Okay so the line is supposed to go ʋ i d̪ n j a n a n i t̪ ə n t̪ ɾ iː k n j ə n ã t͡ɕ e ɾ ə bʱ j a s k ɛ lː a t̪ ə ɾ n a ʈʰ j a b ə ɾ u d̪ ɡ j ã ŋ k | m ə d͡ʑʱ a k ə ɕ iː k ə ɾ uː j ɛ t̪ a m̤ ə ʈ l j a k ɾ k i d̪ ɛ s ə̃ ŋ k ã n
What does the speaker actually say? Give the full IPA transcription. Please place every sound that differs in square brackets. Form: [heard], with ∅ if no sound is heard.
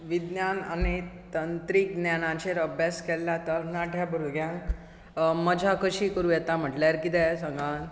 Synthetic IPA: ʋ i d̪ n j a n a n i t̪ ə n t̪ ɾ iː k n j [a] n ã t͡ɕ e ɾ ə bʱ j a s k ɛ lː a t̪ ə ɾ n a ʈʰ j a b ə ɾ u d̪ ɡ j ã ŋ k | m ə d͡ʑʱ a k ə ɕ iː k ə ɾ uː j ɛ t̪ a m̤ ə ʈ l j a [∅] ɾ k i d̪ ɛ s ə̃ ŋ [ɡ] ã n